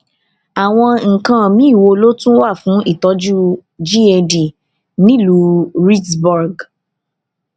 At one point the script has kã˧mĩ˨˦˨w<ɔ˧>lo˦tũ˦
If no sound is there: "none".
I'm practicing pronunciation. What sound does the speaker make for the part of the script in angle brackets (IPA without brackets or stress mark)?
o˧